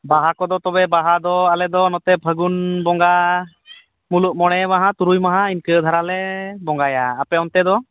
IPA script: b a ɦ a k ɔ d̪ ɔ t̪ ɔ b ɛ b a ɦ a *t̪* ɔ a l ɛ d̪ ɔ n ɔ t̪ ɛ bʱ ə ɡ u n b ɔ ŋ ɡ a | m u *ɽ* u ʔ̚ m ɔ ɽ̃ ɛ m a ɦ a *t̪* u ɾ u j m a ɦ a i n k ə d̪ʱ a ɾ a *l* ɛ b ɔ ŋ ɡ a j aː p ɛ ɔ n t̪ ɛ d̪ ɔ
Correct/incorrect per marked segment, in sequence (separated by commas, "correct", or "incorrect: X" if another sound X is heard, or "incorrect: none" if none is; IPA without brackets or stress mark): incorrect: d̪, incorrect: l, correct, correct